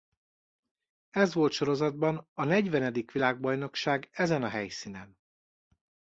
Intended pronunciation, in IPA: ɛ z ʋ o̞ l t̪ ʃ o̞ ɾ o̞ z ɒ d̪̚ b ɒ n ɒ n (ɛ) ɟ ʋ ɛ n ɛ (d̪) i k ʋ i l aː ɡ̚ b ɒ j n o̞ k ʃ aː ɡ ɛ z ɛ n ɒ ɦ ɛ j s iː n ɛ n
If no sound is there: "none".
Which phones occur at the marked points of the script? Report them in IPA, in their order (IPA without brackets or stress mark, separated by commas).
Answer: ɛ, d̪